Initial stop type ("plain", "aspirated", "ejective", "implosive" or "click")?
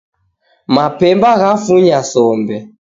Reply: plain